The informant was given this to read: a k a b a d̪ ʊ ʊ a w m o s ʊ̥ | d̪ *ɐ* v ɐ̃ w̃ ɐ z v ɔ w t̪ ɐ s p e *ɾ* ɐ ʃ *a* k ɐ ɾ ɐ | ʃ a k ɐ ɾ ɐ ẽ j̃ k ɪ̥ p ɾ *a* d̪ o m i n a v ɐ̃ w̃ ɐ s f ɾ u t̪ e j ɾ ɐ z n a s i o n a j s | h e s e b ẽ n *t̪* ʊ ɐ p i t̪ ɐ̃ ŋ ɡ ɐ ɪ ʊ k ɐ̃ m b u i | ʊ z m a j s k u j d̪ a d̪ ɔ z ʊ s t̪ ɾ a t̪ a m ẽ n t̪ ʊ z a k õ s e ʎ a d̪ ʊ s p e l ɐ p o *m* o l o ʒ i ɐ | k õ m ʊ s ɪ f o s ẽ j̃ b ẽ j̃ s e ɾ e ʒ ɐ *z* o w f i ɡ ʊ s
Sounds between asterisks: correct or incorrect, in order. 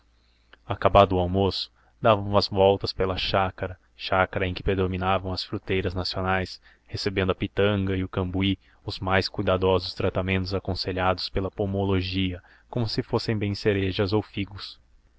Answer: incorrect, incorrect, correct, incorrect, incorrect, correct, correct

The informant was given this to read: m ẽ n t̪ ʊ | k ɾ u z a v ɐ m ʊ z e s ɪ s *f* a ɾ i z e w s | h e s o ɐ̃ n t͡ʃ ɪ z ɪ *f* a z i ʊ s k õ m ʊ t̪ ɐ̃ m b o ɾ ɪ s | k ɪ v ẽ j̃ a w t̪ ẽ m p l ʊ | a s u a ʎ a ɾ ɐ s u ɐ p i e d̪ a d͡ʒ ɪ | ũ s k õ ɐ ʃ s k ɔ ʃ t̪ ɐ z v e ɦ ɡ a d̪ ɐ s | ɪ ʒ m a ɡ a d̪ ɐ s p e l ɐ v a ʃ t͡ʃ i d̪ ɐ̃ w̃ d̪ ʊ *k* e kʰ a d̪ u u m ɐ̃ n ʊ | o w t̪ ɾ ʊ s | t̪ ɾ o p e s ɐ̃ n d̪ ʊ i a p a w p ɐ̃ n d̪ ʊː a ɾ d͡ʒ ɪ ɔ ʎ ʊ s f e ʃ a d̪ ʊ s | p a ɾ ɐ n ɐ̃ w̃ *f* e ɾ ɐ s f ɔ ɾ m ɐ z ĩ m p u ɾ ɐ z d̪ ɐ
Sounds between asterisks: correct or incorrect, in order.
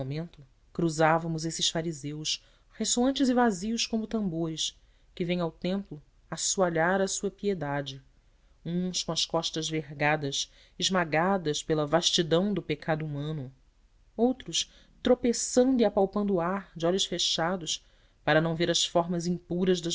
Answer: correct, incorrect, incorrect, incorrect

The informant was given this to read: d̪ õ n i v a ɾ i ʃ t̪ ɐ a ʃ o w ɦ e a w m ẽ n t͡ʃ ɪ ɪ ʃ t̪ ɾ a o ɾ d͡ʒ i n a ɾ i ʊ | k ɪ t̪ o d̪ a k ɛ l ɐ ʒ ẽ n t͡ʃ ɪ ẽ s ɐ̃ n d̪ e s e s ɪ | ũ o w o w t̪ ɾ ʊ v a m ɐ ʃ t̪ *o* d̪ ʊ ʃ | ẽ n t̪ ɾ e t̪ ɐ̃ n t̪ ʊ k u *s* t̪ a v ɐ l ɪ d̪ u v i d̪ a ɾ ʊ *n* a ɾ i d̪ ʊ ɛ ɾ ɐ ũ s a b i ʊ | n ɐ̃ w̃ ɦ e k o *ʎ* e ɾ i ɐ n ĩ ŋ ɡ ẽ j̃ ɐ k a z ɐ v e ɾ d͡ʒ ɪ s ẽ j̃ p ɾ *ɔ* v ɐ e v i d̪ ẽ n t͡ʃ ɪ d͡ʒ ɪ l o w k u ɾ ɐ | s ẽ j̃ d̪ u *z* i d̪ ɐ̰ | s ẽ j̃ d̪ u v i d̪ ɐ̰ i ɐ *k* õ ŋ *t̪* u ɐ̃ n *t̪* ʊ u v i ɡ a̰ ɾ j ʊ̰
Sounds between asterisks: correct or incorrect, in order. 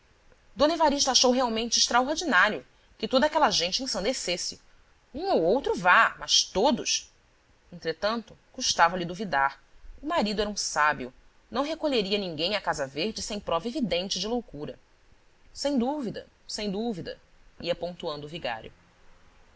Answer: correct, incorrect, incorrect, correct, correct, incorrect, incorrect, correct, incorrect

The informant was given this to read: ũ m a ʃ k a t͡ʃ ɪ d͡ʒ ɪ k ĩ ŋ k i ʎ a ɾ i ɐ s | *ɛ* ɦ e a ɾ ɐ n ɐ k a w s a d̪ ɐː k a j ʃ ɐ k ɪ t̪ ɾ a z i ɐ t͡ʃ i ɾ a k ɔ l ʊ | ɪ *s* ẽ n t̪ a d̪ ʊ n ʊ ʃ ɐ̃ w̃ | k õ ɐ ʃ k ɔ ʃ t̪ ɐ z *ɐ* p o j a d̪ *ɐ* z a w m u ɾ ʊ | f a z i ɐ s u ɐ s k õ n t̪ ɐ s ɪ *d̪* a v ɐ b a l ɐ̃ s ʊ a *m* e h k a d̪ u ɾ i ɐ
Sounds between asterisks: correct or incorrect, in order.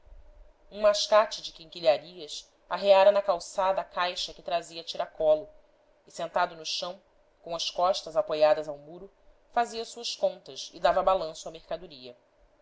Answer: incorrect, correct, incorrect, correct, correct, correct

